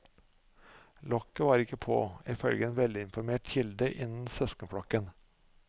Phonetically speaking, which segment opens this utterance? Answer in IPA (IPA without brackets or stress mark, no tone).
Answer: l